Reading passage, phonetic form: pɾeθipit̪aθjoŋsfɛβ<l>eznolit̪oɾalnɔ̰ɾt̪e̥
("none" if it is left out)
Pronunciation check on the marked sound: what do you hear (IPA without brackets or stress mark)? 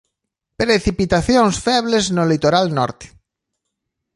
l